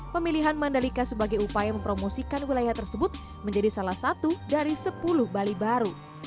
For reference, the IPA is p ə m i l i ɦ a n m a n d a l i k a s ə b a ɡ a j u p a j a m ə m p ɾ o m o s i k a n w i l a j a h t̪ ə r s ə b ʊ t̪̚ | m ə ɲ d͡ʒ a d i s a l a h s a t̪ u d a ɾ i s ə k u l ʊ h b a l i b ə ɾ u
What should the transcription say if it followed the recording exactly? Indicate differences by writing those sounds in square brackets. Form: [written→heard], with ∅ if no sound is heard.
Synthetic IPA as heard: p ə m i l i ɦ a n m a n d a l i k a s ə b a ɡ a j u p a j a m ə m p ɾ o m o s i k a n w i l a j a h t̪ ə r s ə b ʊ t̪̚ | m ə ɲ d͡ʒ a d i s a l a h s a t̪ u d a ɾ i s ə [k→p] u l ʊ h b a l i b [ə→a] ɾ u